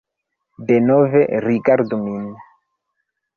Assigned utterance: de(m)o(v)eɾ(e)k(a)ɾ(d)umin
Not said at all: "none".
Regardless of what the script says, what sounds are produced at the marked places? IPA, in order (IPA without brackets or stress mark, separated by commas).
n, v, i, a, d